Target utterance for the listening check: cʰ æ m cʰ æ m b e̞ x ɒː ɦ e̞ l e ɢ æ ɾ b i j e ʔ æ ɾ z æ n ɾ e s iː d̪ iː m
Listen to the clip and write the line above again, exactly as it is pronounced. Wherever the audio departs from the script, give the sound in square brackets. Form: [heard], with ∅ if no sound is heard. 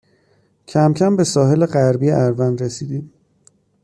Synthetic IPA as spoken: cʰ æ m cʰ æ m b e̞ [s] ɒː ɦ e̞ l e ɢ æ ɾ b i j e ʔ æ ɾ [v] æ n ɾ e s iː d̪ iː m